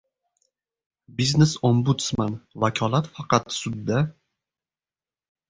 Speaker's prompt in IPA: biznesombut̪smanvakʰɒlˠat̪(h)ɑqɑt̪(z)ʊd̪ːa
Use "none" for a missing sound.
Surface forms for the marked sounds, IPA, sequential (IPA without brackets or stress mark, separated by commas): f, s